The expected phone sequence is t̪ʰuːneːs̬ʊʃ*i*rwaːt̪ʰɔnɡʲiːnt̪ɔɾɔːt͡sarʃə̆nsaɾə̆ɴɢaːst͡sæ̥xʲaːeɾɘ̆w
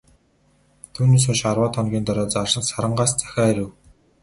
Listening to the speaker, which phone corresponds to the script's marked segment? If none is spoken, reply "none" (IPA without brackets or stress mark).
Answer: a